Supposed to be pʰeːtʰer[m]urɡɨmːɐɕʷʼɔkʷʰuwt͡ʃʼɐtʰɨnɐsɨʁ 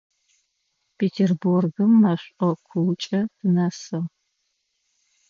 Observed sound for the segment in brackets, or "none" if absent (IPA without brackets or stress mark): b